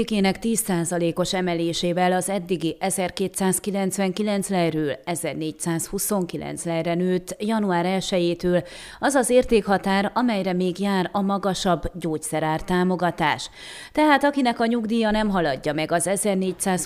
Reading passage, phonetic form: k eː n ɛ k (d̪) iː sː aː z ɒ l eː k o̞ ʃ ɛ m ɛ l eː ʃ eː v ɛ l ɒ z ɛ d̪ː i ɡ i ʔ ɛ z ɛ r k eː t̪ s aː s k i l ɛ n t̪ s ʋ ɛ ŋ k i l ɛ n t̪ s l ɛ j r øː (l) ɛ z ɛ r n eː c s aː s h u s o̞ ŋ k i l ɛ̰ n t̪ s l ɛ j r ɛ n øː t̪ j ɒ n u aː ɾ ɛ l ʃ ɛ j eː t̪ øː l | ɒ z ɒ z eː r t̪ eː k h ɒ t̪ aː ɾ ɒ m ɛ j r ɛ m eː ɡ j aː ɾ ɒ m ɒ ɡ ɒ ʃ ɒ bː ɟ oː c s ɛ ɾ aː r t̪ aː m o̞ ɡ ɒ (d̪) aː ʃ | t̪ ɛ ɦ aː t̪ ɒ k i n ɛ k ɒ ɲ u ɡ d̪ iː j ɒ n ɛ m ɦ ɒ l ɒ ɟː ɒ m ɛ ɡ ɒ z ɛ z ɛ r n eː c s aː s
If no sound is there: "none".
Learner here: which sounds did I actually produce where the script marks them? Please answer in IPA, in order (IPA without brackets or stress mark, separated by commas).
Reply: t̪, l, t̪